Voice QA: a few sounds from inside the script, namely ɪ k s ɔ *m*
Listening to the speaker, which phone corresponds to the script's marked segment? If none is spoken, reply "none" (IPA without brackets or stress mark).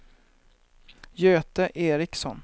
n